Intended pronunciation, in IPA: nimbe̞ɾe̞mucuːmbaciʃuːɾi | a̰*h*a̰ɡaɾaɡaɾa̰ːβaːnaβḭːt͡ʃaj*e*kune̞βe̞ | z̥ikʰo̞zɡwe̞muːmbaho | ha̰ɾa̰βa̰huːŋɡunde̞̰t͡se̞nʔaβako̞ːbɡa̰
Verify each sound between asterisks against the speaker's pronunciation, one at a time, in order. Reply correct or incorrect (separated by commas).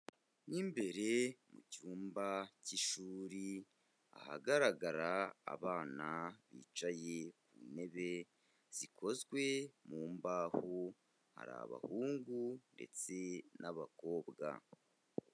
correct, correct